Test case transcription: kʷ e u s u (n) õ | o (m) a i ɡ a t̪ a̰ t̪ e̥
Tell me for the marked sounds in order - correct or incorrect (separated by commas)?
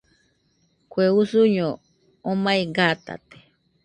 incorrect, correct